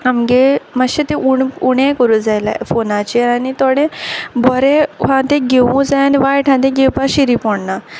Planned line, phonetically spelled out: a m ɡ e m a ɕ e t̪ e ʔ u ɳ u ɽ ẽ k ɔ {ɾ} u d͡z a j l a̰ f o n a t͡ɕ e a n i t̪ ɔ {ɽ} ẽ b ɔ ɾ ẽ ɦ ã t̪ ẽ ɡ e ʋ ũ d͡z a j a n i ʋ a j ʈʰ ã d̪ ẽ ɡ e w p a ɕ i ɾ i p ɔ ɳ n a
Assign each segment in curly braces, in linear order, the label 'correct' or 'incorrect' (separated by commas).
correct, correct